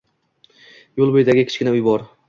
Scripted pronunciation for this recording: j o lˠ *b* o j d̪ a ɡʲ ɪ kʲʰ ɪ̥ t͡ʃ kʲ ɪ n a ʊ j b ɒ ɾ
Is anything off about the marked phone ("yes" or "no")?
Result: no